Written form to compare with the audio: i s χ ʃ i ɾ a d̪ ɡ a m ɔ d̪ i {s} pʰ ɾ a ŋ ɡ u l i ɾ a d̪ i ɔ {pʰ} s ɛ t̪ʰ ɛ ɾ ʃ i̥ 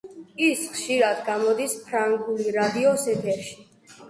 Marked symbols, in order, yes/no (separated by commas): yes, no